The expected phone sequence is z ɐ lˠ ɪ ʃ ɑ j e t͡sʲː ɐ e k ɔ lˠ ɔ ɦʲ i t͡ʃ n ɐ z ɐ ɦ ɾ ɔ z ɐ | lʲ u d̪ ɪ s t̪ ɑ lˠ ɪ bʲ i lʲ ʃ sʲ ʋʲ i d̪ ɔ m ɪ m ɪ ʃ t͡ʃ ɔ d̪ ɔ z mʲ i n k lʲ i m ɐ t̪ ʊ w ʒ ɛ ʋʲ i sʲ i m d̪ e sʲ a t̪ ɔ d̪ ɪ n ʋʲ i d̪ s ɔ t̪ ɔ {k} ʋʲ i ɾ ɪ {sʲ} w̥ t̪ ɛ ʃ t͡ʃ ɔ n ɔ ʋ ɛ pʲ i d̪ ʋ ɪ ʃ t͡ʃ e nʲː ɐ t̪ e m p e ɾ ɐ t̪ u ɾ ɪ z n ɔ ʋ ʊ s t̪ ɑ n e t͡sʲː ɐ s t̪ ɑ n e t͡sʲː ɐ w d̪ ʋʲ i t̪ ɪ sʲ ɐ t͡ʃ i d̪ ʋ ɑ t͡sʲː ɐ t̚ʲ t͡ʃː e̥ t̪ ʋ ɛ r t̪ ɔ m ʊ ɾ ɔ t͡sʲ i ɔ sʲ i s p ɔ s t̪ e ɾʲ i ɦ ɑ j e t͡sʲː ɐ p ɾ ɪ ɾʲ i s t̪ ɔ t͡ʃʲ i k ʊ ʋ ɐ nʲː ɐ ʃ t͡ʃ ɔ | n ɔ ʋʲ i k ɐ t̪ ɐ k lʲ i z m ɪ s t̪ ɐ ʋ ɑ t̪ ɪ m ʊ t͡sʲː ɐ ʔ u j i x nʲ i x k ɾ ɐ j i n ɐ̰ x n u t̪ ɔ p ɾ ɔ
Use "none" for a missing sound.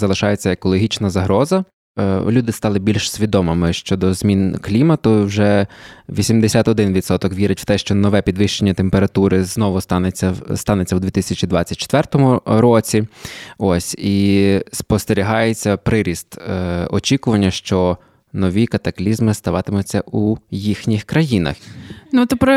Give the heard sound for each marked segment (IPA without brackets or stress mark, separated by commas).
k, tʲ